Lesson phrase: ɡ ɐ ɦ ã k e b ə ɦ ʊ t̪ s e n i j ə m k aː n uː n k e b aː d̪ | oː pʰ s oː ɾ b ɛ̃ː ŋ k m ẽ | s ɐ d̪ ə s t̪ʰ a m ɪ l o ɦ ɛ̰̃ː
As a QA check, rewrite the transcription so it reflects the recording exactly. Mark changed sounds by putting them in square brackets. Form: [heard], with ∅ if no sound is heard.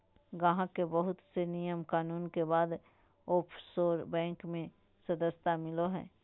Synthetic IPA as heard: ɡ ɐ ɦ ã k e b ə ɦ ʊ t̪ s e n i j ə m k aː n uː n k e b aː d̪ | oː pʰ s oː ɾ b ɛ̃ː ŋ k m ẽ | s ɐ d̪ ə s [t̪] a m ɪ l o ɦ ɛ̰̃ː